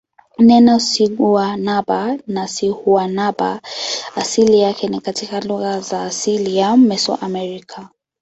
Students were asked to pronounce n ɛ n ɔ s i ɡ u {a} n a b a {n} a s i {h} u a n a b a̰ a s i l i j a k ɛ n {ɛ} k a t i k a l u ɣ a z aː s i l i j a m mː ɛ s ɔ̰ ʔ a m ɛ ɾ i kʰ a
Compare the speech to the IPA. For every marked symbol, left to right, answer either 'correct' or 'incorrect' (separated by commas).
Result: correct, correct, correct, incorrect